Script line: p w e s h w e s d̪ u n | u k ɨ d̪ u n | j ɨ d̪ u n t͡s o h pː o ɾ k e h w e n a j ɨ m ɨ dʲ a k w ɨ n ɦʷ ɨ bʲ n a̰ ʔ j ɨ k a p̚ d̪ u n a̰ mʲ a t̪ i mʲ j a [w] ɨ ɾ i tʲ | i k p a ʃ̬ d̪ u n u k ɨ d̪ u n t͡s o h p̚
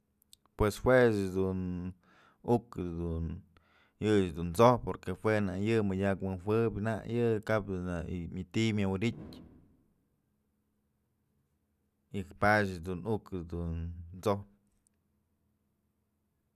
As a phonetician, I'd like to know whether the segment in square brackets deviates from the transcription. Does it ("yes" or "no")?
no